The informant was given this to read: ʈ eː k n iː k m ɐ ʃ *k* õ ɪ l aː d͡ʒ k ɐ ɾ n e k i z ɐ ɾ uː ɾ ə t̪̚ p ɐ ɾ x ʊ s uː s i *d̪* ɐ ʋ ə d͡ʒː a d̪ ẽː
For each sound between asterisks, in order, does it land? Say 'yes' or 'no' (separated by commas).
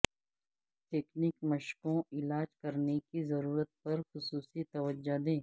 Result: yes, no